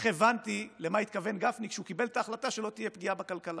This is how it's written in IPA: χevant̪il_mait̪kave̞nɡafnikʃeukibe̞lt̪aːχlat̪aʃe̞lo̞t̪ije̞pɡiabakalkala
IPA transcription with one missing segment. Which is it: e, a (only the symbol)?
e